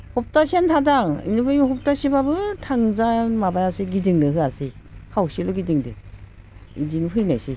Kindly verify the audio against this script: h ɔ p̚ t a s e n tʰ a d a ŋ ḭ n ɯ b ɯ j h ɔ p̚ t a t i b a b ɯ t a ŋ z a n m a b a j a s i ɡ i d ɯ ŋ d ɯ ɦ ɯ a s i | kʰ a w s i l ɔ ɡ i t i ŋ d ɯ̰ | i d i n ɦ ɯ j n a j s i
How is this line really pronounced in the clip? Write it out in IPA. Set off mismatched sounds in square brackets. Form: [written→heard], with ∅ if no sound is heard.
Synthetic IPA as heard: h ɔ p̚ t a s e n tʰ a d a ŋ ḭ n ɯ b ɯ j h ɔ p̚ t a [t→s] i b a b ɯ [t→tʰ] a ŋ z a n m a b a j a s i ɡ i d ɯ ŋ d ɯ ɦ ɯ a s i | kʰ a w s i l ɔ ɡ i [t→d] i ŋ d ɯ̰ | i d i n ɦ ɯ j n a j s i